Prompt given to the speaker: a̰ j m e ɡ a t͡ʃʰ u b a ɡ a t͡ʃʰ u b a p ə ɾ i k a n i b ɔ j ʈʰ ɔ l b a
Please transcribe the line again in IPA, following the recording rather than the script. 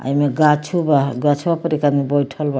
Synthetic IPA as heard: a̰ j m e ɡ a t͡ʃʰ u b a ɡ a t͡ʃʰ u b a p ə ɾ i k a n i b ɔ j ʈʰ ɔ l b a